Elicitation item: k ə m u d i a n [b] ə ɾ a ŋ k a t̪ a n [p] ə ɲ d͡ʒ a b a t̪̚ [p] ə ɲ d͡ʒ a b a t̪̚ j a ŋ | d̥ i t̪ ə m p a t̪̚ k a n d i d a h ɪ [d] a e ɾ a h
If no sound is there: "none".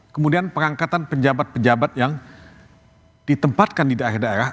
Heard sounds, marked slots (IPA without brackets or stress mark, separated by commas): p, p, p, d